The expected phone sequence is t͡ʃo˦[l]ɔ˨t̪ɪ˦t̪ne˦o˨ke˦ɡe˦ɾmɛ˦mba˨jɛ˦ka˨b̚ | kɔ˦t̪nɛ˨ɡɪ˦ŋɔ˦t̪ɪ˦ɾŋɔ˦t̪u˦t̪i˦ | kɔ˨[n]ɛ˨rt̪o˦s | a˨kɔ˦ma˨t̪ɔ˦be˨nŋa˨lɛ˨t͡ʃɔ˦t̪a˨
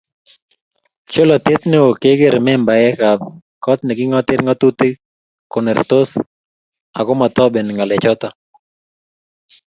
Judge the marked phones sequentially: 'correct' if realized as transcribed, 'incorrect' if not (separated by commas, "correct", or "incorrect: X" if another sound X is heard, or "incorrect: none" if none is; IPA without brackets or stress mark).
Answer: correct, correct